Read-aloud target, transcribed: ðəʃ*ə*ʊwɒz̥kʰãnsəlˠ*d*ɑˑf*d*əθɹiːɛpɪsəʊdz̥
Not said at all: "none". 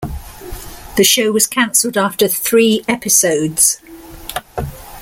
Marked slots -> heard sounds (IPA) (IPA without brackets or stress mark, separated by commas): ə, d, t